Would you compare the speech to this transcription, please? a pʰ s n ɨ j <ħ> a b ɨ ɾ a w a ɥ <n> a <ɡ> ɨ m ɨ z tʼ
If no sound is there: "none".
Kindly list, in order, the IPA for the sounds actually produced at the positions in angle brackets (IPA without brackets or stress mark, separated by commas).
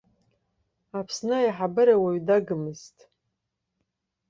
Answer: ħ, d, ɡ